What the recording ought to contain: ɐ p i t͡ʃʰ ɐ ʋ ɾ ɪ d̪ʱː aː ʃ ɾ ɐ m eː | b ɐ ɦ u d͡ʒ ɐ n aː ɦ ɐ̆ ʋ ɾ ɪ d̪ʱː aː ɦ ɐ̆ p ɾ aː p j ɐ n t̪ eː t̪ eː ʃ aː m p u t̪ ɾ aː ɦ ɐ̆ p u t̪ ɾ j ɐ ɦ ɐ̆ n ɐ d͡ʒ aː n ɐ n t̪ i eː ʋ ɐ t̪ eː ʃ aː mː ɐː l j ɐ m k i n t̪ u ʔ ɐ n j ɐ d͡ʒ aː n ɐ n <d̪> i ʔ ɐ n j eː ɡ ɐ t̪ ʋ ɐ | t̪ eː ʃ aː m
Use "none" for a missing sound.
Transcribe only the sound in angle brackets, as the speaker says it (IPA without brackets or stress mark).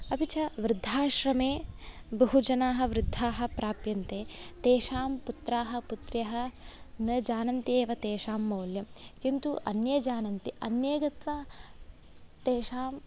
t̪